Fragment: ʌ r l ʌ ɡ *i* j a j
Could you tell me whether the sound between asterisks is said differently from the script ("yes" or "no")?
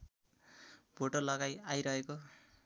yes